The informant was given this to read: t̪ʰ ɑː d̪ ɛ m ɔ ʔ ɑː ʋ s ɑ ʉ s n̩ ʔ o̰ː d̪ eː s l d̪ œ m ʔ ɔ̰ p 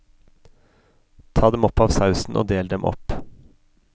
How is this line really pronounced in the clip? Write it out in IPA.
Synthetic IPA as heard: t̪ʰ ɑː d̪ ɛ m ɔ p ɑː ʋ s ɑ ʉ s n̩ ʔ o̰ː d̪ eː l d̪ ɛ m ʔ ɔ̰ p